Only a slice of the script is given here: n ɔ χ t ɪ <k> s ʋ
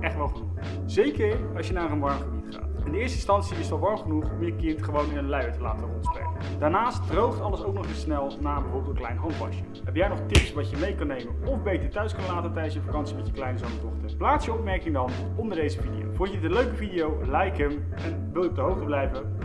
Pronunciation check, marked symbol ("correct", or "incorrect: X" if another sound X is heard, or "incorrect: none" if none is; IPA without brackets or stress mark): incorrect: p